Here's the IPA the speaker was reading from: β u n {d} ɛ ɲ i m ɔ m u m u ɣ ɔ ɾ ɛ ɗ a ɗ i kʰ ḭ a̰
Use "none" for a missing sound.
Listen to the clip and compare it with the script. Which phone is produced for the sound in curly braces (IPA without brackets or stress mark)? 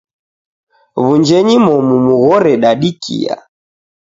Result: d͡ʒ